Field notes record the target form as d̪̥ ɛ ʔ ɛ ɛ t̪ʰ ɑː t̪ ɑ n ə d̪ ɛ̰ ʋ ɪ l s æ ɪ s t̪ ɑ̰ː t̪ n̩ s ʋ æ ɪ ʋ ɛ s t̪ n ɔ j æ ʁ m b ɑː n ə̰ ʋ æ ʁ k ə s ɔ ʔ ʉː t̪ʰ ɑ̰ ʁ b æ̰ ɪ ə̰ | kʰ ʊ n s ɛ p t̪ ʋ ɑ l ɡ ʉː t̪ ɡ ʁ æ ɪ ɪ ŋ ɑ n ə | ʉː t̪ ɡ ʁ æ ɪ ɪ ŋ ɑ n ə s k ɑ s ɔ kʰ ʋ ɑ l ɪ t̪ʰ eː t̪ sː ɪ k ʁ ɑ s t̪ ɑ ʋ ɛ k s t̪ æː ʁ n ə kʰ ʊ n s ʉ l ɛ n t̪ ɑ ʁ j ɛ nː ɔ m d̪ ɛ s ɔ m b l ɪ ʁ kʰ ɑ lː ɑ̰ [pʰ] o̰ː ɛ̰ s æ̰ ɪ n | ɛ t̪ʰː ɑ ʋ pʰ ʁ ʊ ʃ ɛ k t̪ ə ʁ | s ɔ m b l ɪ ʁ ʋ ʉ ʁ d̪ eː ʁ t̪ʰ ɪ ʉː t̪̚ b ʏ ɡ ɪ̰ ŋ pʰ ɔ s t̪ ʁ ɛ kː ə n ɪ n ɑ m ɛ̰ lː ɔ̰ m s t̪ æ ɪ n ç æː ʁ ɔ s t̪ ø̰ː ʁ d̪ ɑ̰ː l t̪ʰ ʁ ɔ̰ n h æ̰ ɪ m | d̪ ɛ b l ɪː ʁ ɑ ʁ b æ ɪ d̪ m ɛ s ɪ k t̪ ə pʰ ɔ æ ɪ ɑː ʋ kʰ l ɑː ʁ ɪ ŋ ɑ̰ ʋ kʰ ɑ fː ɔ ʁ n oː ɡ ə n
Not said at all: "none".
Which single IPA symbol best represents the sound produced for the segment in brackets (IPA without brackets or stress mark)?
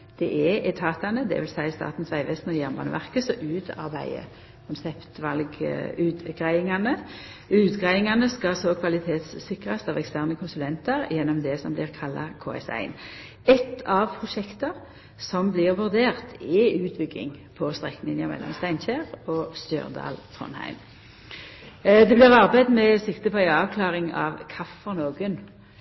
kʰ